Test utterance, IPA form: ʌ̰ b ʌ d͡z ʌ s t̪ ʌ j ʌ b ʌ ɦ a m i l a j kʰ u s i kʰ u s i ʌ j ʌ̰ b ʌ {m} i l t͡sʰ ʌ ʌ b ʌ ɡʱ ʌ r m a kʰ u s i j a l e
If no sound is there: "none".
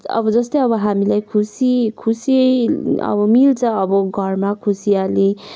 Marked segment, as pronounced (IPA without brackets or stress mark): m